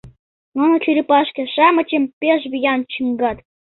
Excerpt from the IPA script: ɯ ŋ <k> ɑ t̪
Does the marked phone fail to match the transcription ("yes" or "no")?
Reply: yes